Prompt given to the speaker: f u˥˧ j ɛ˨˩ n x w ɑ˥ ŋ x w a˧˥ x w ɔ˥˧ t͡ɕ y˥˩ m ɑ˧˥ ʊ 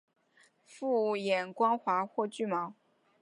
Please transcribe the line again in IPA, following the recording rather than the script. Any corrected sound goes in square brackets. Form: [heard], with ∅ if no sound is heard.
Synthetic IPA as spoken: f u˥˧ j ɛ˨˩ n [k] w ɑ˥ ŋ x w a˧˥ x w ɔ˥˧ t͡ɕ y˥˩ m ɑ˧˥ ʊ